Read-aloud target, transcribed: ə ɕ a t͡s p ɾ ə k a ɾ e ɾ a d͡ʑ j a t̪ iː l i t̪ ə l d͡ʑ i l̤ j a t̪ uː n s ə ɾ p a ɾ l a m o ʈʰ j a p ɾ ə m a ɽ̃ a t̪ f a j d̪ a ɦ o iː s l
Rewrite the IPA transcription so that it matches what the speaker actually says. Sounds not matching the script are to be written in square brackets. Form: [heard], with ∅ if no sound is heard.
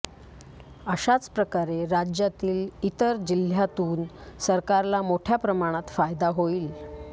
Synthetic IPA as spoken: ə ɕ a t͡s p ɾ ə k a ɾ e ɾ a d͡ʑ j a t̪ iː l i t̪ ə [ɾ] d͡ʑ i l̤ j a t̪ uː n s ə ɾ [k] a ɾ l a m o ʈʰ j a p ɾ ə m a ɽ̃ a t̪ f a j d̪ a ɦ o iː [∅] l

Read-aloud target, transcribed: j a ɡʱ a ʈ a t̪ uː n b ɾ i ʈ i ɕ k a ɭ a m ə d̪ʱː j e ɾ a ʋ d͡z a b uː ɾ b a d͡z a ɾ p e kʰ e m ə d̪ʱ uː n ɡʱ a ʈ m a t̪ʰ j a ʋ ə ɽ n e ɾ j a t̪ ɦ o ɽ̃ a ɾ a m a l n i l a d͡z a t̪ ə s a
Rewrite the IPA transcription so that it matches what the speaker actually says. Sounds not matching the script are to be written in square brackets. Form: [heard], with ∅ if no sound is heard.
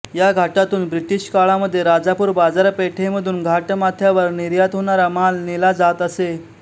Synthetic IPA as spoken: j a ɡʱ a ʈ a t̪ uː n b ɾ i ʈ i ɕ k a ɭ a m ə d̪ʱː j e ɾ a [∅] d͡z a [p] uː ɾ b a d͡z a ɾ p e [ʈʰ] e m ə d̪ʱ uː n ɡʱ a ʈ m a t̪ʰ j a ʋ ə [ɾ] n [i] ɾ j a t̪ ɦ o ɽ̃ a ɾ a m a l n i l a d͡z a t̪ ə s [e]

